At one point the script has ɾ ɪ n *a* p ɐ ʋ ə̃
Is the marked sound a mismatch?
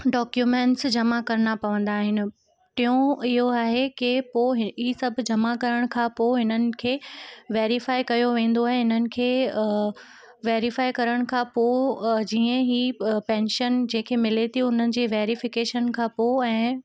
no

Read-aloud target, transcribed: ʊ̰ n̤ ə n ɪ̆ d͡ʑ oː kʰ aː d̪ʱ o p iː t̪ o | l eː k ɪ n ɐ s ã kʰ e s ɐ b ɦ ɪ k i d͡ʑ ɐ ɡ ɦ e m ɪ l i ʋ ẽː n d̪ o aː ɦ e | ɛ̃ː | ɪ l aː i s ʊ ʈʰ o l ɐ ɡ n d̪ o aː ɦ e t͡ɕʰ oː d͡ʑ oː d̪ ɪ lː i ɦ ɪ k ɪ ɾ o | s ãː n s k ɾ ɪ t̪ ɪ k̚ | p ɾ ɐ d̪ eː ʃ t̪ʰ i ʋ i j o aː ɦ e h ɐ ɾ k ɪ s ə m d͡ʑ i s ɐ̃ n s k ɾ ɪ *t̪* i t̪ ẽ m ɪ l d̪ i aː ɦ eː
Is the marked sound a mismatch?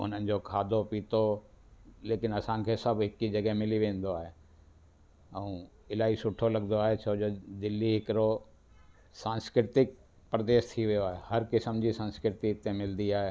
no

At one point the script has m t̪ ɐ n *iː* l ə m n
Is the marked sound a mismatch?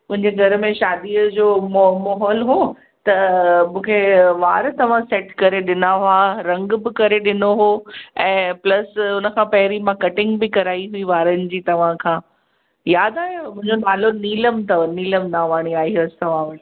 no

